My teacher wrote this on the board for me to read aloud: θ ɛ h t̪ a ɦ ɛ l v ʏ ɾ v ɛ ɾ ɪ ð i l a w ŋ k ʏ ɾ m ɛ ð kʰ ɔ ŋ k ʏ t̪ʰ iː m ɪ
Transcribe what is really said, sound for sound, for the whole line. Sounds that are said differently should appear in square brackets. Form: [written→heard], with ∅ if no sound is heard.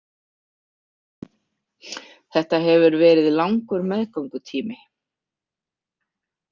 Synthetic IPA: θ ɛ h t̪ a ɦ ɛ [l→∅] v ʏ ɾ v [ɛ→ɛː] ɾ ɪ ð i l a w ŋ k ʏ ɾ m ɛ ð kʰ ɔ ŋ k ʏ t̪ʰ iː m ɪ